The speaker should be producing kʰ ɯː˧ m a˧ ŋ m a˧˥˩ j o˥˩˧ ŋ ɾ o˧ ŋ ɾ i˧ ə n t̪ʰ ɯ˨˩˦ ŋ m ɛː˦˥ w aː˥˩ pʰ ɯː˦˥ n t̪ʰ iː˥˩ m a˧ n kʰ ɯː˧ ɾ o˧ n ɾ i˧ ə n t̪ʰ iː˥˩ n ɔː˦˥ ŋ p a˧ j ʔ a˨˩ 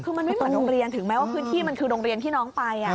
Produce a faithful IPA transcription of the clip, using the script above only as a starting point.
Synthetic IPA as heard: kʰ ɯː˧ m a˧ n m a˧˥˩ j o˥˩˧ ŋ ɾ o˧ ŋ ɾ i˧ ə n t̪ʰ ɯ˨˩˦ ŋ m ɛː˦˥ w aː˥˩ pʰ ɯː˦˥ n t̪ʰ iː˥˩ m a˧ n kʰ ɯː˧ ɾ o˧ ŋ ɾ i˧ ə n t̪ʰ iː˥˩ n ɔː˦˥ ŋ p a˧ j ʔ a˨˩